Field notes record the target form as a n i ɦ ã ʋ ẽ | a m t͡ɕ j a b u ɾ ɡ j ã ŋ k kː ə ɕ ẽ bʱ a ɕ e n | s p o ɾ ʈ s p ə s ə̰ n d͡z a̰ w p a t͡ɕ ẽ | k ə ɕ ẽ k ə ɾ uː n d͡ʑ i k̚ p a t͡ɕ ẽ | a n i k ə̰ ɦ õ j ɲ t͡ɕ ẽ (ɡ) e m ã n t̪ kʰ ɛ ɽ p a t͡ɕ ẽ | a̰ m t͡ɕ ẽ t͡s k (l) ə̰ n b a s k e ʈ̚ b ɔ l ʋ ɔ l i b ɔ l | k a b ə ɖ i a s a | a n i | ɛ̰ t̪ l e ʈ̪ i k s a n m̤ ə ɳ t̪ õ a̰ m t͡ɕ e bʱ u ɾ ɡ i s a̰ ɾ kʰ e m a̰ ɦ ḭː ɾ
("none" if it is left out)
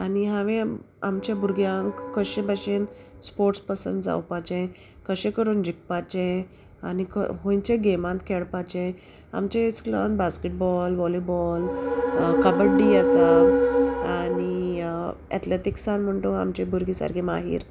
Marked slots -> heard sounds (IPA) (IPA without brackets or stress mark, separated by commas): ɡ, l